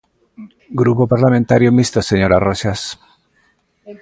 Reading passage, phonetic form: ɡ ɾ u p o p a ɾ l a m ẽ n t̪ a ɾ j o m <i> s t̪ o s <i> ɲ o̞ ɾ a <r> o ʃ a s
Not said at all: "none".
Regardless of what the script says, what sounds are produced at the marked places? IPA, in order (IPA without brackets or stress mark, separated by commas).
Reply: i, e, r